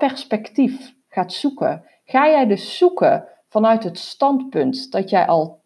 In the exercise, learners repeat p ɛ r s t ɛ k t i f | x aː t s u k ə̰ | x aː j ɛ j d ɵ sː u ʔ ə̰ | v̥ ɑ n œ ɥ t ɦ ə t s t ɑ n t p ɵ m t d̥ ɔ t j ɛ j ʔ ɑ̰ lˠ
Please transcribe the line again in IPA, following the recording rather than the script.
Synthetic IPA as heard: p ɛ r s p ɛ k t i f | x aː t s u k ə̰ | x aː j ɛ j d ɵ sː u k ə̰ | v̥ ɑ n œ ɥ t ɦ ə t s t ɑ n t p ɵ n t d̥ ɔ t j ɛ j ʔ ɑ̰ lˠ